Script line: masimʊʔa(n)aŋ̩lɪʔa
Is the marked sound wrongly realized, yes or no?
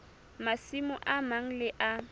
yes